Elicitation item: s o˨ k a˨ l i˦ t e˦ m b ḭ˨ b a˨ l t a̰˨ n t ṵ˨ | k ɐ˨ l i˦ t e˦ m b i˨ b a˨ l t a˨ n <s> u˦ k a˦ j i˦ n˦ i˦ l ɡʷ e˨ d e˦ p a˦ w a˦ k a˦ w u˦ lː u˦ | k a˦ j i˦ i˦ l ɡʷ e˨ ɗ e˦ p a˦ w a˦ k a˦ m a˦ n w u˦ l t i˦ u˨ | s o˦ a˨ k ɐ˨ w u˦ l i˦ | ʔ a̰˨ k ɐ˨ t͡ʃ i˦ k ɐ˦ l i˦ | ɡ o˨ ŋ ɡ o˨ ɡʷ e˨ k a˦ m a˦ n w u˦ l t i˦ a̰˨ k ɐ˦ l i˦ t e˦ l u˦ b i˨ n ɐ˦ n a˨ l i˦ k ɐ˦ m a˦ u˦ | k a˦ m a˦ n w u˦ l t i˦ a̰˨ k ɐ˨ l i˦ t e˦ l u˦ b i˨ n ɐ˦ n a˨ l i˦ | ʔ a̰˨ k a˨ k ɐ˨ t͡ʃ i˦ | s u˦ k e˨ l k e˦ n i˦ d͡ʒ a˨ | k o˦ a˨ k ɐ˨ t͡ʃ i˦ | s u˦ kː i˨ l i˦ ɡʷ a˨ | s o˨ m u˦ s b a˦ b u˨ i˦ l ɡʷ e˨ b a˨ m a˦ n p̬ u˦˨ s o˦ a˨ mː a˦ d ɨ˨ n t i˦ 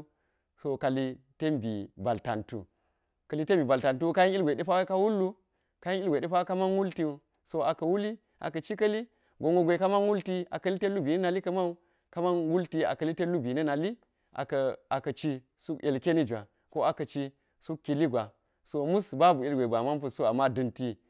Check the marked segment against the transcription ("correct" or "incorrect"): incorrect